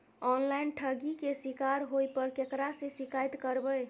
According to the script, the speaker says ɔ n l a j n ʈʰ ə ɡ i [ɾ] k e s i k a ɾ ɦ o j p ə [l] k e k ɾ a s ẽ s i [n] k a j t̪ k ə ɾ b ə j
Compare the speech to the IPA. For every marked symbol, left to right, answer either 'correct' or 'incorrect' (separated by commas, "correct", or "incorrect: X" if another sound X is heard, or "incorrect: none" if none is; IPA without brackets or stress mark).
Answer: incorrect: none, incorrect: ɾ, incorrect: none